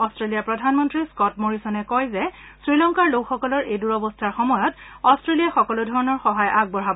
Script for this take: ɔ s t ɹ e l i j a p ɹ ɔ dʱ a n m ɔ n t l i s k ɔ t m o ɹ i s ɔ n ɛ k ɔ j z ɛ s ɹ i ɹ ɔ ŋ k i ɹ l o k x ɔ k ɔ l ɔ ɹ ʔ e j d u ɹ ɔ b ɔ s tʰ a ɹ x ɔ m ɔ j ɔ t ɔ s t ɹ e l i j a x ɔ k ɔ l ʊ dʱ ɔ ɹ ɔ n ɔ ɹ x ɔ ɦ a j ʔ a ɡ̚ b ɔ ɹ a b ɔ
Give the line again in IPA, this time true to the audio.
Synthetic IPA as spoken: ɔ s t ɹ e l i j a p ɹ ɔ dʱ a n m ɔ n t ɹ i s k ɔ t m o ɹ i s ɔ n ɛ k ɔ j z ɛ s ɹ i l ɔ ŋ k a ɹ l o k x ɔ k ɔ l ɔ ɹ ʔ e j d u ɹ ɔ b ɔ s tʰ a ɹ x ɔ m ɔ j ɔ t ɔ s t ɹ e l i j a x ɔ k ɔ l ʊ dʱ ɔ ɹ ɔ n ɔ ɹ x ɔ ɦ a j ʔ a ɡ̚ b ɔ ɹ a b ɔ